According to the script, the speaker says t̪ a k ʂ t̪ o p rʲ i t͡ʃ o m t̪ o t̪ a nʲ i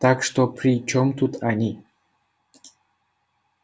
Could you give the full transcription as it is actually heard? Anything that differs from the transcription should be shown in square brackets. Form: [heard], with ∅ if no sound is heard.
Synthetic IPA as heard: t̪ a k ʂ t̪ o p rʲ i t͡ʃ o m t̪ [u] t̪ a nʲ i